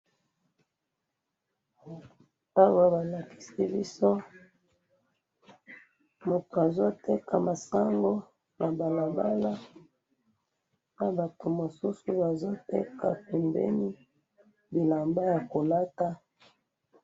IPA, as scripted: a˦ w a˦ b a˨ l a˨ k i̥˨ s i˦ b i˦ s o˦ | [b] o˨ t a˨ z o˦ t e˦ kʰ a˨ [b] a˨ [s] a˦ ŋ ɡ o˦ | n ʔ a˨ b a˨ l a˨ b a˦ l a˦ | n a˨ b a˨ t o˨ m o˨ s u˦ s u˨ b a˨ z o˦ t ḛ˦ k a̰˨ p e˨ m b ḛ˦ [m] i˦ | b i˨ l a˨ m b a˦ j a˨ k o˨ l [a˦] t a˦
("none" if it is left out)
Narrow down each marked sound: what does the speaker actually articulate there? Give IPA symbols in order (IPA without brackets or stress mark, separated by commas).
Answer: m, m, s, n, a˦